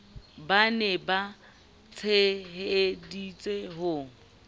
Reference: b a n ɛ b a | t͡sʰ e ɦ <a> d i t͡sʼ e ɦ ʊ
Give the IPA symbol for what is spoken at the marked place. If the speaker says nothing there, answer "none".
e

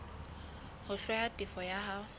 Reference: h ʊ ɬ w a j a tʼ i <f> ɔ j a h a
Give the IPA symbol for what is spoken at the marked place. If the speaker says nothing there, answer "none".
f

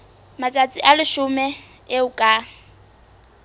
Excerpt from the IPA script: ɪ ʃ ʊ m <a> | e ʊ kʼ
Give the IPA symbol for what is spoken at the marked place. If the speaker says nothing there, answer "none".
ɛ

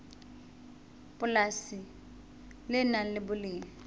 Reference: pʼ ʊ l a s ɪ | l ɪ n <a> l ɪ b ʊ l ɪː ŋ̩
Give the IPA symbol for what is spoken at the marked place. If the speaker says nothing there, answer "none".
a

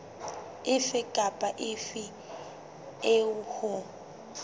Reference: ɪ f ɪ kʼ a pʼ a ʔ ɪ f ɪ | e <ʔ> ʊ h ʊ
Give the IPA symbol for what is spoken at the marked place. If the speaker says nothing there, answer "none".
none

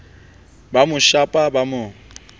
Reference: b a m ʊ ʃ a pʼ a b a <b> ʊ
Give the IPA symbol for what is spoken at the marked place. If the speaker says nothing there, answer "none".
m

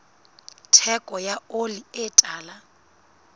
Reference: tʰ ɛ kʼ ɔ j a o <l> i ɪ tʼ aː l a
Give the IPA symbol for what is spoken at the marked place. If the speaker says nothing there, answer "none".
l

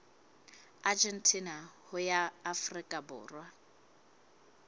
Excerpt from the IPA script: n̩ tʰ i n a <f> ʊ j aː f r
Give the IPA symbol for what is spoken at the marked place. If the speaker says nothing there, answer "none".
h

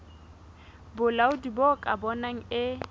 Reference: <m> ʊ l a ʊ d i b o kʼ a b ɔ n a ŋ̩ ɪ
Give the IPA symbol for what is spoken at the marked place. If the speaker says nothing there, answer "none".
b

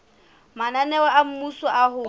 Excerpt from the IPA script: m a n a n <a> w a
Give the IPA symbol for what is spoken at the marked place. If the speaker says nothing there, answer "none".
ɛ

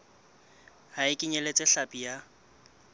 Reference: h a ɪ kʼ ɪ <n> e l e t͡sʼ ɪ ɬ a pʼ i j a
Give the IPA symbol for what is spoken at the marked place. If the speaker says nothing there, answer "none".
ɲ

